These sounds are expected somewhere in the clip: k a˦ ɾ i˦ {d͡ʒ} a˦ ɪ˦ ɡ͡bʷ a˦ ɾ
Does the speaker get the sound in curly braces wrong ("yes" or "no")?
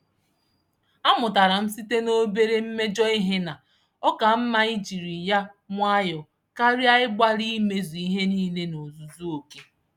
yes